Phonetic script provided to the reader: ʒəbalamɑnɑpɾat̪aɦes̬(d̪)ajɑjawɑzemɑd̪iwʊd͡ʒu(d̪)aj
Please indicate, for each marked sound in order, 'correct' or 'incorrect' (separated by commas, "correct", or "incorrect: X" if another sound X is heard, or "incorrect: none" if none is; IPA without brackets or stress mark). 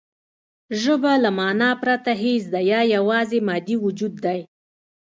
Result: correct, incorrect: d̪ː